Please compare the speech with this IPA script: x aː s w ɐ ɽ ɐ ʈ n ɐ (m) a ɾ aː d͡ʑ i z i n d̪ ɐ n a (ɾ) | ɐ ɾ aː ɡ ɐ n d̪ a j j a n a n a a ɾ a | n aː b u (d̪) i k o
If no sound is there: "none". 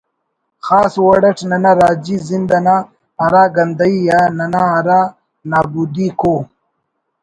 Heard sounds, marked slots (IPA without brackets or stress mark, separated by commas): n, none, d̪